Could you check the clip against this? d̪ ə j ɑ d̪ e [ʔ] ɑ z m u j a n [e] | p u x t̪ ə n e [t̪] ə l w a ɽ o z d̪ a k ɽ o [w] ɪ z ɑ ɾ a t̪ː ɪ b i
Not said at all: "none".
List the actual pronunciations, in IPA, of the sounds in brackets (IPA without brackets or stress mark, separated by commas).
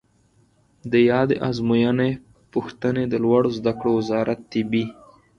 ʔ, e, d̪, w